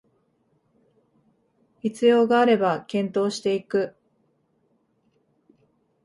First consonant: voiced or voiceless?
voiceless